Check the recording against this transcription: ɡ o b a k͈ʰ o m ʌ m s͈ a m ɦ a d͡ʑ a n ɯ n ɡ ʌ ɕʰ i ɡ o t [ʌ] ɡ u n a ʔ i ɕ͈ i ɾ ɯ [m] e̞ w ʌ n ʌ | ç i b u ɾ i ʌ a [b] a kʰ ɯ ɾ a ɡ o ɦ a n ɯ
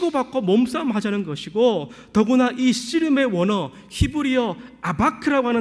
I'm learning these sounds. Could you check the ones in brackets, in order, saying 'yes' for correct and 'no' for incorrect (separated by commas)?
yes, yes, yes